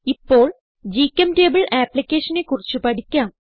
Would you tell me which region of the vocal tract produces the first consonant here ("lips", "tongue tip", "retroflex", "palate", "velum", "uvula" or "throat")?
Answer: lips